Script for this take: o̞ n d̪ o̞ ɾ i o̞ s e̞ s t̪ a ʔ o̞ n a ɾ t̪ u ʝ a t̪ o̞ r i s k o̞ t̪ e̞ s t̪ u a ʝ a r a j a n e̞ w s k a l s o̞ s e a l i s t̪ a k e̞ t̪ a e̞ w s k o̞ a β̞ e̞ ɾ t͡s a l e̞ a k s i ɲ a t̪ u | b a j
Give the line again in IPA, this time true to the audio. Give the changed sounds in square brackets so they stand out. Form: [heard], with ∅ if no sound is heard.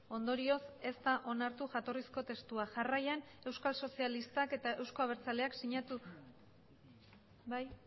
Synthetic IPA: o̞ n d̪ o̞ ɾ i o̞ s e̞ s t̪ a ʔ o̞ n a ɾ t̪ u ʝ a t̪ o̞ r i s k o̞ t̪ e̞ s t̪ u a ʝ a r a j a n e̞ w s k a l s o̞ s [i] a l i s t̪ a k e̞ t̪ a e̞ w s k o̞ a β̞ e̞ ɾ t͡s a l e̞ a k s i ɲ a t̪ u | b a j